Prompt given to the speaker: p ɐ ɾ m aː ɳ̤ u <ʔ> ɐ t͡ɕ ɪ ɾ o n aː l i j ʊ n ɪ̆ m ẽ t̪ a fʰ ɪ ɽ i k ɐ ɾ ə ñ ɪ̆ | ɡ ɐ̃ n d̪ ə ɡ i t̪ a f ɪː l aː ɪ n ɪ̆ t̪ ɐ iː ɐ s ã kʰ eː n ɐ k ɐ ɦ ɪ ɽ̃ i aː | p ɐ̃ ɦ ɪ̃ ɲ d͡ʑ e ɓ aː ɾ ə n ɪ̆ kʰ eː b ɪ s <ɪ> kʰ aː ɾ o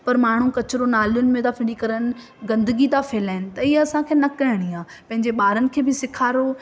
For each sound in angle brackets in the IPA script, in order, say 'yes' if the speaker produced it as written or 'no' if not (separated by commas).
no, yes